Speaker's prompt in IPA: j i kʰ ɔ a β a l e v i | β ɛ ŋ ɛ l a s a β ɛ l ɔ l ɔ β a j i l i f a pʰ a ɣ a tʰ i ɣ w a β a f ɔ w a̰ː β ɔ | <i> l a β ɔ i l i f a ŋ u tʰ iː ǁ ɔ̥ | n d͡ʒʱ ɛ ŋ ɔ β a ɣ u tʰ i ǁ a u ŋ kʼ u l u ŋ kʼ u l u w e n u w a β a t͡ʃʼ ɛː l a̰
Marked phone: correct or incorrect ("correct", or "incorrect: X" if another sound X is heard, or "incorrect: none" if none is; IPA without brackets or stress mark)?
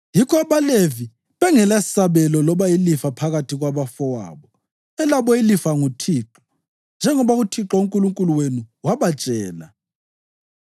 incorrect: ɛ